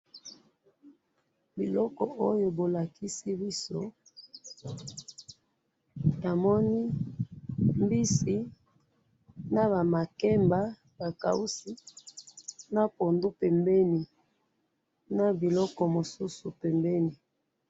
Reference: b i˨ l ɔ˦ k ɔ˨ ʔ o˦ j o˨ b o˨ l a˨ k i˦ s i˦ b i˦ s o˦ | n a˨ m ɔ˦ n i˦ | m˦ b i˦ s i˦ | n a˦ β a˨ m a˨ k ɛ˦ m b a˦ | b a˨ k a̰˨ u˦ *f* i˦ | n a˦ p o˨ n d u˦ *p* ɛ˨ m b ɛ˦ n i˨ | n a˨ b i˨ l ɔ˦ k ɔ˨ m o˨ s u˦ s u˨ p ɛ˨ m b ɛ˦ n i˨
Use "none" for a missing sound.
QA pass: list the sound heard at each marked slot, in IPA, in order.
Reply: s, p

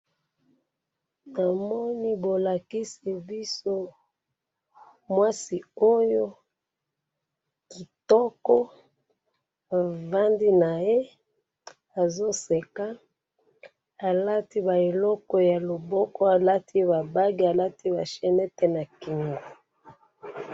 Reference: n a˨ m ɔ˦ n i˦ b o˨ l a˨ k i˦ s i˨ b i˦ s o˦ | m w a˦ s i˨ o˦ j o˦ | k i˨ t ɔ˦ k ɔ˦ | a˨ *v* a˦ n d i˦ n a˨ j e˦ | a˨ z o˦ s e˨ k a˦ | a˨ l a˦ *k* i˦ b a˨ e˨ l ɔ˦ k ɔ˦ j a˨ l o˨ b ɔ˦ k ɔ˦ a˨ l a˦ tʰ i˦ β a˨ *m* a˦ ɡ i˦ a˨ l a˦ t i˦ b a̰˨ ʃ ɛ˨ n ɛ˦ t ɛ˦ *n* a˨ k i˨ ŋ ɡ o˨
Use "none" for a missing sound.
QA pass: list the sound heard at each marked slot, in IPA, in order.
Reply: v, t, b, n

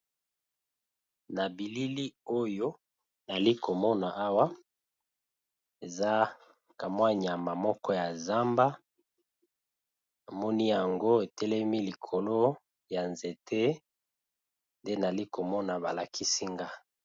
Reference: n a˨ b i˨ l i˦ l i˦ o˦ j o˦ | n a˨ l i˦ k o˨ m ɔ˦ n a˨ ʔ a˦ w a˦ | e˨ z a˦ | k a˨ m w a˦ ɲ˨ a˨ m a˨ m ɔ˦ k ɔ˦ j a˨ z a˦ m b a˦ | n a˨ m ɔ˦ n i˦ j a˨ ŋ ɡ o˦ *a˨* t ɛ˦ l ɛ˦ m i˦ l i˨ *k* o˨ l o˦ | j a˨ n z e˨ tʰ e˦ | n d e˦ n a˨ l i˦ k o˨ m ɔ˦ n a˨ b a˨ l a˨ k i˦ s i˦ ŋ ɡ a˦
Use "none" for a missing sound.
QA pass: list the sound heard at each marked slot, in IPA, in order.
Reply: e˨, kʰ

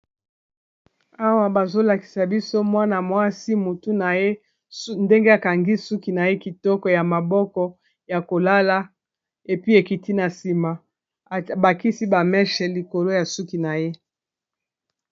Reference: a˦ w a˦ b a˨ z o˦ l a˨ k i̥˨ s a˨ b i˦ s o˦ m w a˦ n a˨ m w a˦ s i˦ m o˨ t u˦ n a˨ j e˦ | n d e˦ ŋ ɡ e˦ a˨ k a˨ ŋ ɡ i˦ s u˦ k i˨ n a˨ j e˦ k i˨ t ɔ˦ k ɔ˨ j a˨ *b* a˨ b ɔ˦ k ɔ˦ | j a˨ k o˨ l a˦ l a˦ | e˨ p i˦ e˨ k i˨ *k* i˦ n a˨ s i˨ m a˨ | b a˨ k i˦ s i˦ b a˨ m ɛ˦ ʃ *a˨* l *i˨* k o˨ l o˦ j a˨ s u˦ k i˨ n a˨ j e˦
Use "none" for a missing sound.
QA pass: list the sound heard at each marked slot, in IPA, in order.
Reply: m, t, ɛ˨, i˨

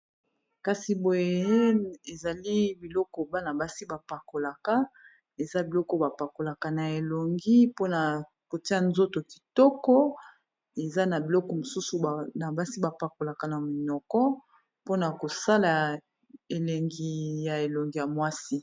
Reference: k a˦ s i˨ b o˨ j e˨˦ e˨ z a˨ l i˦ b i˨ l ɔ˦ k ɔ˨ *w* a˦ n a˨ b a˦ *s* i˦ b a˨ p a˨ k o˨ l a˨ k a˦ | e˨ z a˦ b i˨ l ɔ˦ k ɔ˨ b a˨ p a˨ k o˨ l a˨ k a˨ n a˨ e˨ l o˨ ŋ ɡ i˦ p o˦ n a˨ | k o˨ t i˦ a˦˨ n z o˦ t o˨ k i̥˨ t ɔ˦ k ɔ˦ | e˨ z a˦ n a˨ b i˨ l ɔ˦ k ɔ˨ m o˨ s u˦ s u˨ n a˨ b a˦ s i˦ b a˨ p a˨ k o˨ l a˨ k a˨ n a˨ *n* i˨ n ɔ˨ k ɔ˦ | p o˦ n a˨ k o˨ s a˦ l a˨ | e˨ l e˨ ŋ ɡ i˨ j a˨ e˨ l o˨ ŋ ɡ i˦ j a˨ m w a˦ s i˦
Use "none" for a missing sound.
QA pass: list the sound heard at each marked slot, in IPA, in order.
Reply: b, s, m

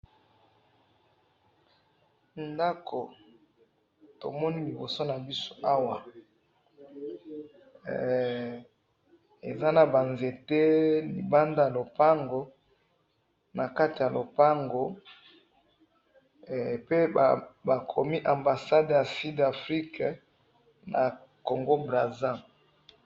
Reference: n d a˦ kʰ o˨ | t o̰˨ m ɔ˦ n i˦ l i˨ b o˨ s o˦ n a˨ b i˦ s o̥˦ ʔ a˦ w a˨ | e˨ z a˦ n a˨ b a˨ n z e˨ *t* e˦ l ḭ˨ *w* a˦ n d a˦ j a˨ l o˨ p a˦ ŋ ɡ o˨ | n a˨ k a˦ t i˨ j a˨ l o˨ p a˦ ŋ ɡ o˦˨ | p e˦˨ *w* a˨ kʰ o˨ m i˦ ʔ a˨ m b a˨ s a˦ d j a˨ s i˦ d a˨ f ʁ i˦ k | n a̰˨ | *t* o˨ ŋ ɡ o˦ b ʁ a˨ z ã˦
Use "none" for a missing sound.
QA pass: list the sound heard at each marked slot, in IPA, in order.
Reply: t, b, b, k

